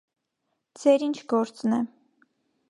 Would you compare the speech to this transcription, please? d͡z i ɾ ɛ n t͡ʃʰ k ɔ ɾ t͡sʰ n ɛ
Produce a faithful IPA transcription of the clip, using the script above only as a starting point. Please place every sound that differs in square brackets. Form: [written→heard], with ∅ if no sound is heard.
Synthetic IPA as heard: d͡z [i→ɛ] ɾ [ɛ→i] n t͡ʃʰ [k→ɡ] ɔ ɾ [t͡sʰ→t͡s] n ɛ